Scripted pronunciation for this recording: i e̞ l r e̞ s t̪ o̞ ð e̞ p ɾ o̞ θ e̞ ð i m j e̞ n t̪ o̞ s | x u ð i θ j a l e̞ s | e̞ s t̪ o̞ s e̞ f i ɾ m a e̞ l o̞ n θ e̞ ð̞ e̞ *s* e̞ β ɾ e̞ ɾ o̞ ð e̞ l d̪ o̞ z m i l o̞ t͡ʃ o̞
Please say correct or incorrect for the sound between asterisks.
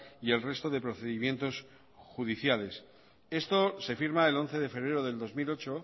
incorrect